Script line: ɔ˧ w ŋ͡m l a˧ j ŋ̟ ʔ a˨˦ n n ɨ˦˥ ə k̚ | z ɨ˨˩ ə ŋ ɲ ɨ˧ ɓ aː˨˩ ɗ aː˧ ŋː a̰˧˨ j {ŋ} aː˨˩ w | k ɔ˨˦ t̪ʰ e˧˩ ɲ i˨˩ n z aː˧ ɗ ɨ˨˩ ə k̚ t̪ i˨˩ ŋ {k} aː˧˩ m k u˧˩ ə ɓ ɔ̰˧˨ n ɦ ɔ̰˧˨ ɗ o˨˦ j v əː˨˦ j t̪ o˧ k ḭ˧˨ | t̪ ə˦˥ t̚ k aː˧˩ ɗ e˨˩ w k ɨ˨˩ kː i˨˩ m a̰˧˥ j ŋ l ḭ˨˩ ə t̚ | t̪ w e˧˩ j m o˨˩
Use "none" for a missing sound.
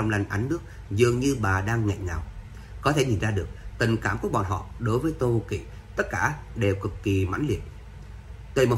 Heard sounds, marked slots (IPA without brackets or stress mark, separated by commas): ŋ, k